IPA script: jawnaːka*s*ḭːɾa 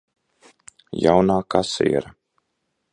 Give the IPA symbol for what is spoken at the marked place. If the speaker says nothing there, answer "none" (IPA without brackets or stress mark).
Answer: s